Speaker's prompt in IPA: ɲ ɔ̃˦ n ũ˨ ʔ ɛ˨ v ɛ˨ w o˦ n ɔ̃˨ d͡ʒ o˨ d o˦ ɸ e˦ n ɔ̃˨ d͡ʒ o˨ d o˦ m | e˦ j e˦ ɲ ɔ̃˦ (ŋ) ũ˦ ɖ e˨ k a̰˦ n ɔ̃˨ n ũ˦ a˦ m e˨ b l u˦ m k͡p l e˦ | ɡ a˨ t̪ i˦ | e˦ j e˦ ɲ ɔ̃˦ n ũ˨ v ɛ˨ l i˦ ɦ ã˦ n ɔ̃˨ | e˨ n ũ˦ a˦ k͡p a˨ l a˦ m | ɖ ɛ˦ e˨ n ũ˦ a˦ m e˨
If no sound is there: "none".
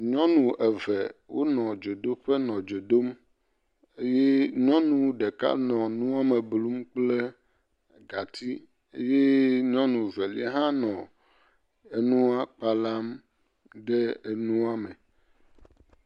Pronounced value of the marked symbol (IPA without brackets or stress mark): n